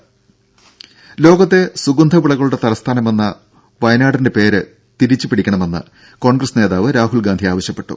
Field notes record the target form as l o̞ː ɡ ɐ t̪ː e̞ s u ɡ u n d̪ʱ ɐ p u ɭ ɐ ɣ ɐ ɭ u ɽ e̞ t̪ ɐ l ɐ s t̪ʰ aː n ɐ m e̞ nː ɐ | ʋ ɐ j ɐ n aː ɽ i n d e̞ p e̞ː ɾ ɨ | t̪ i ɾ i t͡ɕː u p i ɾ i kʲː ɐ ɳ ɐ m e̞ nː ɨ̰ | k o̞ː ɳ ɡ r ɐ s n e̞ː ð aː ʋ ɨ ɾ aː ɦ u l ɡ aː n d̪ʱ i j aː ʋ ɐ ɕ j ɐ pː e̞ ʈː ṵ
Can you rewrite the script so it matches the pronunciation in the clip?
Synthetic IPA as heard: l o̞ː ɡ ɐ t̪ː e̞ s u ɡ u n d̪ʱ ɐ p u ɭ ɐ ɣ ɐ ɭ u ɽ e̞ t̪ ɐ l ɐ s t̪ʰ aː n ɐ m e̞ nː ɐ | ʋ ɐ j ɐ n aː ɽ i n d e̞ p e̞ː ɾ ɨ | t̪ i ɾ i t͡ɕː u p i ɽ i kʲː ɐ ɳ ɐ m e̞ nː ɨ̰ | k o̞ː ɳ ɡ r ɐ s n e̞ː ð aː ʋ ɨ ɾ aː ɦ u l ɡ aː n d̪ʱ i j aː ʋ ɐ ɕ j ɐ pː e̞ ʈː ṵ